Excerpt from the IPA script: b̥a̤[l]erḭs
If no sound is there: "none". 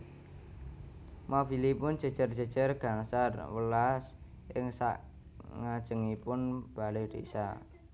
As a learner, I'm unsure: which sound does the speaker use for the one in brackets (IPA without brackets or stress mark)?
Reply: l